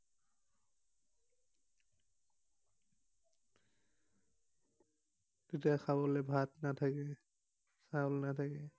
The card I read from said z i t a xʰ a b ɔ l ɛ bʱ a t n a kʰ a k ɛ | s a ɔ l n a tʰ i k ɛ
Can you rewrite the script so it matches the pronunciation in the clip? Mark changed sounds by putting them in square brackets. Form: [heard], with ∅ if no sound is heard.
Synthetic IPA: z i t a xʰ a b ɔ l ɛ bʱ a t n a [tʰ] a k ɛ | s a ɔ l n a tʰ [a] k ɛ

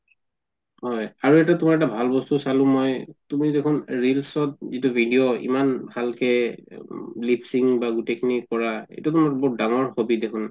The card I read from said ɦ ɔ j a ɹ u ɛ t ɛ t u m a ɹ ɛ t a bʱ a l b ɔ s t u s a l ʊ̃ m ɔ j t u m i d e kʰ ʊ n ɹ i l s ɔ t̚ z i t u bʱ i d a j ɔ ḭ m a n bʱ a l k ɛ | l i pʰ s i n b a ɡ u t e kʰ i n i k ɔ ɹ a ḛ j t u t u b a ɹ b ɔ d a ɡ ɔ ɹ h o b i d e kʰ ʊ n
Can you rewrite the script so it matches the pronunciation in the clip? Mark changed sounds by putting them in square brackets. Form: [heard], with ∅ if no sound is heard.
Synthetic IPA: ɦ ɔ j a ɹ u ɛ t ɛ t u m a ɹ ɛ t a bʱ a l b ɔ s t u s a l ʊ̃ m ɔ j t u m i d e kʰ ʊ n ɹ i l s ɔ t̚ z i t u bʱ i d [i] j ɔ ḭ m a n bʱ a l k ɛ | l i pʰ s i [ŋ] b a ɡ u t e kʰ i n i k ɔ ɹ a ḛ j t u t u [m] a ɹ b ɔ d a [ŋ] ɔ ɹ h o b i d e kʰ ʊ n

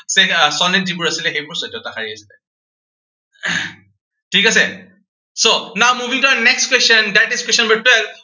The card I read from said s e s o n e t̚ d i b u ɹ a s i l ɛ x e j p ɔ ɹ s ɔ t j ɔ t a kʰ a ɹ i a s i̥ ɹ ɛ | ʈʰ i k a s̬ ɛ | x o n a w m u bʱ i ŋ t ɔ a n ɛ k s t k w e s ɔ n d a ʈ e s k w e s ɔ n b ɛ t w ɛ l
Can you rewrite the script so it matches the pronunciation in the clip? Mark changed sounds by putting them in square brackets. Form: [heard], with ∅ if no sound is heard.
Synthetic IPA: s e s [ɔ] n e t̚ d i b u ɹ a s i l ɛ x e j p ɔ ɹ s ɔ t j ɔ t a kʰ a ɹ i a s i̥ [l] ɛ | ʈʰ i k a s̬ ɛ | [s] o n a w m u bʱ i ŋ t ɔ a n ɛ k s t k w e s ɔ n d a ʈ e s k w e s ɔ n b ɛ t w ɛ l

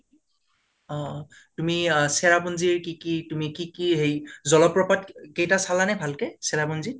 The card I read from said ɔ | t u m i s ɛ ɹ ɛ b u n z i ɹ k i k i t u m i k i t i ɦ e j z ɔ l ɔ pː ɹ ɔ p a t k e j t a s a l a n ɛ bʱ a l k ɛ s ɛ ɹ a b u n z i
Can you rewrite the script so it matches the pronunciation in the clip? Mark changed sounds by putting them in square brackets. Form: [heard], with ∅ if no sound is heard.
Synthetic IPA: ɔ | t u m i s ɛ ɹ [a] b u n z i ɹ k i k i t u m i k i [k] i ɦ e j z ɔ l ɔ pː ɹ ɔ p a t k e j t a s a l a n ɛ bʱ a l k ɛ s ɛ ɹ a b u n z i

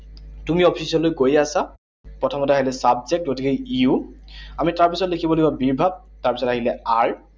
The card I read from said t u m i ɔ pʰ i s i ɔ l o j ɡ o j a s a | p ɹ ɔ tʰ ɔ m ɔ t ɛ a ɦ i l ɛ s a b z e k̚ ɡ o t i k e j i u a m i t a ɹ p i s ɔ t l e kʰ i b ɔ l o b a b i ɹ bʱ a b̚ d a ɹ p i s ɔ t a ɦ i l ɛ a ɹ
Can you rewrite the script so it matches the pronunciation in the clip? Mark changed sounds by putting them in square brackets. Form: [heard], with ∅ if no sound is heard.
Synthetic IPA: t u m i ɔ pʰ i s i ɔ l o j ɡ o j a s a | p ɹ ɔ tʰ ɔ m ɔ t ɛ a ɦ i l ɛ s a b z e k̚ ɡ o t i k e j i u a m i t a ɹ p i s ɔ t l e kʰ i b ɔ l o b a b i ɹ bʱ a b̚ [t] a ɹ p i s ɔ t a ɦ i l ɛ a ɹ

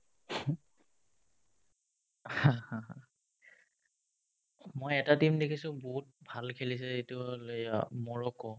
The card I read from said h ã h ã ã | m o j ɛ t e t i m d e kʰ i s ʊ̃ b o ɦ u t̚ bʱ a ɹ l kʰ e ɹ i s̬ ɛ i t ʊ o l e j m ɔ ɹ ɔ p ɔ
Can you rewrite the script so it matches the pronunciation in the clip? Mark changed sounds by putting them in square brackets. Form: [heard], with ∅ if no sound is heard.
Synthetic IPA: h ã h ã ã | m o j ɛ t [a] t i m d e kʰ i s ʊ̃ b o ɦ u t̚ bʱ a [∅] l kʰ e [l] i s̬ ɛ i t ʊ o l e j m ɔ ɹ ɔ [k] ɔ

